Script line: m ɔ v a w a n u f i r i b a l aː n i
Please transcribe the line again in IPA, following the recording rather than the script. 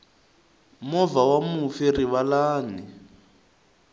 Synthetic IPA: m ɔ v a w a m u f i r i β a l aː n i